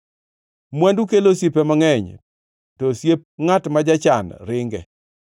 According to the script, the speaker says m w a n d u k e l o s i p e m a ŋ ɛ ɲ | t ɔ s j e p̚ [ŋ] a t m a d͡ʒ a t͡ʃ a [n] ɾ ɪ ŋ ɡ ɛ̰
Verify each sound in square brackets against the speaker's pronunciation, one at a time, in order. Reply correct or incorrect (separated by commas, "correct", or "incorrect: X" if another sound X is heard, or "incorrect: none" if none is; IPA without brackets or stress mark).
correct, correct